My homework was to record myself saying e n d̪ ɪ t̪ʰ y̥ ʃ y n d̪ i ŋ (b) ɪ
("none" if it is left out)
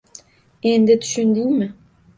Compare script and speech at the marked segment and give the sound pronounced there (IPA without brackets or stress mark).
m